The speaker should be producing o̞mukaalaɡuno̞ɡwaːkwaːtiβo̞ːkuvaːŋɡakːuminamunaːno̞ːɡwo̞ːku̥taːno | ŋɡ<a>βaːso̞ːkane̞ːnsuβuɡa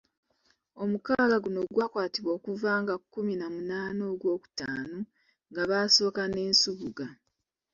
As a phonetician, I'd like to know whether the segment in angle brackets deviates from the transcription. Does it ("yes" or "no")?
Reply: no